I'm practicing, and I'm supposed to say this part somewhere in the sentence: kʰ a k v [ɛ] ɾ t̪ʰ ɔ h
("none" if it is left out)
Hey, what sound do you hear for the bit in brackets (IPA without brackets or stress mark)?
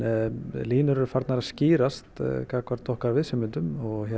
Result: a